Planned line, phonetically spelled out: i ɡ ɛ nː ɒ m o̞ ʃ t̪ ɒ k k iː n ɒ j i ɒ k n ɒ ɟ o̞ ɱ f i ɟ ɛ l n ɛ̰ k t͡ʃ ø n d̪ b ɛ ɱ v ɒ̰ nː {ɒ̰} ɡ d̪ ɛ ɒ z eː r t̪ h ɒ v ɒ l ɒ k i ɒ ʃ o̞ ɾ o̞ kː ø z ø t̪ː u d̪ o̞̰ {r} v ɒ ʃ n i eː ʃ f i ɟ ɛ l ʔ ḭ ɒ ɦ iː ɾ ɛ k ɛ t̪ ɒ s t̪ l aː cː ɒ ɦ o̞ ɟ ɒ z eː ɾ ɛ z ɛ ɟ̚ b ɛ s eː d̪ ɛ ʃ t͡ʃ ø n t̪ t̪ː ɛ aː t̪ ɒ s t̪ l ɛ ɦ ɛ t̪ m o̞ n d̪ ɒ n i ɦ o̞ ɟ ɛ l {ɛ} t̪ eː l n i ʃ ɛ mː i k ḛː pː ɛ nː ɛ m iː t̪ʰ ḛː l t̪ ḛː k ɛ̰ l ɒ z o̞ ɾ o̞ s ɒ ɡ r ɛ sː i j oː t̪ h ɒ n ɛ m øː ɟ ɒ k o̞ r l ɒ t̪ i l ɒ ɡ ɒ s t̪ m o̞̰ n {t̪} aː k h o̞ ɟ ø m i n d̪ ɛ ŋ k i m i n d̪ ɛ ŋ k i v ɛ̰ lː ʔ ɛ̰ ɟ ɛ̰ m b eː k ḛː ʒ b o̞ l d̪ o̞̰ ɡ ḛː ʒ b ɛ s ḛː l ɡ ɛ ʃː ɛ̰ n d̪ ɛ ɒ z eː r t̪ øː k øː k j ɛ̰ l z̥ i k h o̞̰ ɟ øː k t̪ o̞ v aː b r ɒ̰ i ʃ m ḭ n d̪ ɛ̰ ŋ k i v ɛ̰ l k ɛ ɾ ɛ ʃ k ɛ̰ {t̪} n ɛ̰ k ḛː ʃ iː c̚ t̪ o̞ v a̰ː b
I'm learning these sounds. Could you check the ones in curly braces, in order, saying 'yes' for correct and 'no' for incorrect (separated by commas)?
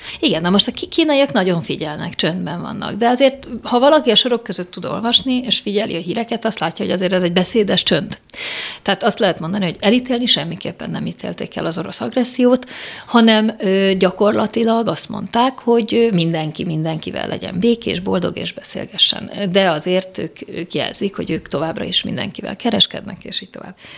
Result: yes, no, no, yes, no